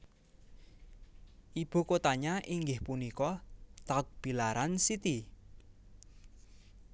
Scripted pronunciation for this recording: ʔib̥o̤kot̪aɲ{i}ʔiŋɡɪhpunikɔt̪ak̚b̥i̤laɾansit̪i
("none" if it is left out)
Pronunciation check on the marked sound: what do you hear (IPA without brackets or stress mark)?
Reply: a